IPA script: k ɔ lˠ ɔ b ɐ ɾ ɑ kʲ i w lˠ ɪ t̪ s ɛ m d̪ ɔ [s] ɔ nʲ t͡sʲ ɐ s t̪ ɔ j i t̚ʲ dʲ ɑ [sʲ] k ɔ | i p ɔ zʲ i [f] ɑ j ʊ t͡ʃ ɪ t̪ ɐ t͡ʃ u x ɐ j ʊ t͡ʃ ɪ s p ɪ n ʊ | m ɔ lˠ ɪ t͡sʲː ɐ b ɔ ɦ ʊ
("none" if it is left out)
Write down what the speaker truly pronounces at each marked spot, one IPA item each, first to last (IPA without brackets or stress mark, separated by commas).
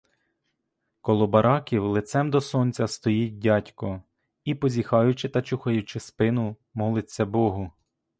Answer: s, tʲ, x